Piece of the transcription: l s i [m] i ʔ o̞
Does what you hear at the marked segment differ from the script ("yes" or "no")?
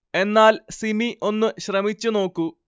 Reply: no